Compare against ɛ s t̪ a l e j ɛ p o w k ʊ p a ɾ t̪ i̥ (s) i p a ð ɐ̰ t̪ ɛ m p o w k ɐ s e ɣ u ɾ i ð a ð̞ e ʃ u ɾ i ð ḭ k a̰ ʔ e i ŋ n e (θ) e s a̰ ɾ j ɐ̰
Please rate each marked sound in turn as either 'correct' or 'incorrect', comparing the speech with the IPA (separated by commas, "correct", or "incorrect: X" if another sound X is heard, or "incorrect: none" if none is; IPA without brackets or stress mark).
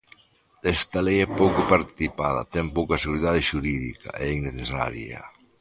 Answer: incorrect: θ, correct